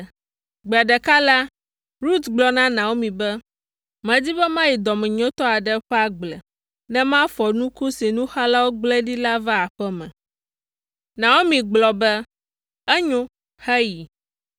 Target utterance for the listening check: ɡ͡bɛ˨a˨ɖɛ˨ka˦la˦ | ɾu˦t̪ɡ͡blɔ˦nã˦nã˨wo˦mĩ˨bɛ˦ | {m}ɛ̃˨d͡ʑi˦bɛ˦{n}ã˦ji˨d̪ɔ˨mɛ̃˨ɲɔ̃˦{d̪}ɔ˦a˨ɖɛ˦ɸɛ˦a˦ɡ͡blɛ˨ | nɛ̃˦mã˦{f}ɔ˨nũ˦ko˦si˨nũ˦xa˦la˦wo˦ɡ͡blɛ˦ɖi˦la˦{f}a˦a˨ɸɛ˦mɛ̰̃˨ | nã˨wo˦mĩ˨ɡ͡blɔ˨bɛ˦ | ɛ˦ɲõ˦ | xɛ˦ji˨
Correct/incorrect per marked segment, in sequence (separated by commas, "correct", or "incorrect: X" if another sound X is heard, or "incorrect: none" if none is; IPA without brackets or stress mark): correct, incorrect: m, incorrect: t̪, correct, incorrect: v